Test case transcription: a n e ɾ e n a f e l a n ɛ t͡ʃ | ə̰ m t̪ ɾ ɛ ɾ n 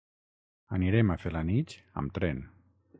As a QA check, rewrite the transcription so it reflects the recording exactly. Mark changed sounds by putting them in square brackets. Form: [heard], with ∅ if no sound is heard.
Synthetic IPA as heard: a n [i] ɾ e [m] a f e l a n [i] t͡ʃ | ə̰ m t̪ ɾ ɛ [∅] n